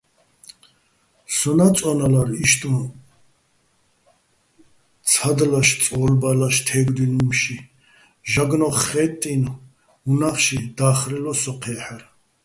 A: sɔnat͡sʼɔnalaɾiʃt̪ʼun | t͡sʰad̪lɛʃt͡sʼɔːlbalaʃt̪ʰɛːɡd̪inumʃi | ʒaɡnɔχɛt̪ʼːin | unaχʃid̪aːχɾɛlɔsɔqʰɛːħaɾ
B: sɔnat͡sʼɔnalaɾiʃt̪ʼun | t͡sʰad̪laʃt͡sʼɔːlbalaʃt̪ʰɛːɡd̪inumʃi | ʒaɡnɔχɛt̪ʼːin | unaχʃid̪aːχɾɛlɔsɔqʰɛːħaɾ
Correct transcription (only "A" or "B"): B